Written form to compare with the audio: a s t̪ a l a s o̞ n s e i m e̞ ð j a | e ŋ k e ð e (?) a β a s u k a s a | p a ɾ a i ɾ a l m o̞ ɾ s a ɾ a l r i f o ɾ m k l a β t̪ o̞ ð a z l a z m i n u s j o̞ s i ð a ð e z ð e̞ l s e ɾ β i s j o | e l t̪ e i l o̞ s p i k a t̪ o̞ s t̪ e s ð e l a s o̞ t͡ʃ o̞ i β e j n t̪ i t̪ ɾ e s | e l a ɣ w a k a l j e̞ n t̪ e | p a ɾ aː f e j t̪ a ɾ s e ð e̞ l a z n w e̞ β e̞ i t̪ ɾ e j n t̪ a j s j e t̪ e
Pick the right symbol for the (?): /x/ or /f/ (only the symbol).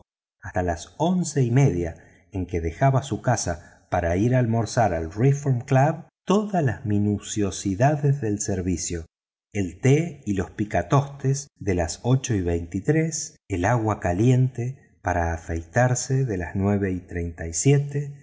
x